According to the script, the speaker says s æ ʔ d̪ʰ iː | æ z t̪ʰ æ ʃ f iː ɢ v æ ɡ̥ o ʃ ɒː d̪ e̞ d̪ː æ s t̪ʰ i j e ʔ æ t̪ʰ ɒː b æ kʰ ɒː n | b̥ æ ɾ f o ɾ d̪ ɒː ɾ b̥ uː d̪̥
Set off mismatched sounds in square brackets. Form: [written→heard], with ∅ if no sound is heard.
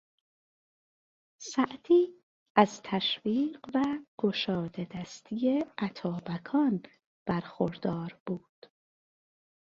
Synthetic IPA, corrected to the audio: s æ ʔ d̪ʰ iː | æ z t̪ʰ æ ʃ [f→v] iː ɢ v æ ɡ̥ o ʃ ɒː d̪ e̞ [d̪ː→d̪] æ s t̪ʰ i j e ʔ æ t̪ʰ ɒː b æ kʰ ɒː n | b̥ æ ɾ [f→x] o ɾ d̪ ɒː ɾ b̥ uː d̪̥